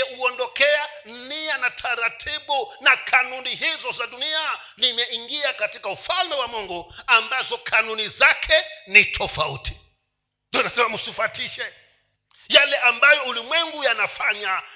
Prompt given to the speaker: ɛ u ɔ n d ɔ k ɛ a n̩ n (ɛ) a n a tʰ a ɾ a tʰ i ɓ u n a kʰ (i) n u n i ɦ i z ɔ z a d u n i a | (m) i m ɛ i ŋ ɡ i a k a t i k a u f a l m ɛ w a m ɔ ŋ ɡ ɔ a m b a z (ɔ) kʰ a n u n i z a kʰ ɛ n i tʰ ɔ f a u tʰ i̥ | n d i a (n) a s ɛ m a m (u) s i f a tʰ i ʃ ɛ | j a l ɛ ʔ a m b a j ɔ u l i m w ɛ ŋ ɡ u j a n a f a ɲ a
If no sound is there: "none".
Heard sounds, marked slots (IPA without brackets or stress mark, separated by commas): i, a, n, ɔ, n, u